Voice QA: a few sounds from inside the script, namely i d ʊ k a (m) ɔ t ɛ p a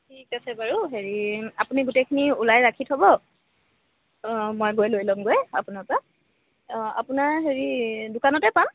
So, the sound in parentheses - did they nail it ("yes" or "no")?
no